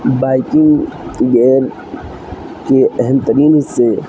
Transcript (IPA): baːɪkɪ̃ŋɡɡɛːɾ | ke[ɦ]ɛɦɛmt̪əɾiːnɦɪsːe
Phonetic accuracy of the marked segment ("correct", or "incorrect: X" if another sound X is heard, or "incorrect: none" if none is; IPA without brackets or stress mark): incorrect: none